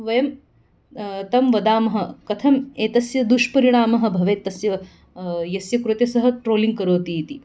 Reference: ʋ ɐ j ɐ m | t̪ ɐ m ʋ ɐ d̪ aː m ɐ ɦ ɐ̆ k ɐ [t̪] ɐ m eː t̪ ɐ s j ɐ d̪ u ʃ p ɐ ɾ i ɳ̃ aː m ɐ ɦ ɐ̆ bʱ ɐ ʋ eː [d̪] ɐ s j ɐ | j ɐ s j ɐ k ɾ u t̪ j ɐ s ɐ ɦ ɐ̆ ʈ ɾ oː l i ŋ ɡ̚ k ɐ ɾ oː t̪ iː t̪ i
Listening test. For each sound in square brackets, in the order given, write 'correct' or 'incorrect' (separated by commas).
incorrect, incorrect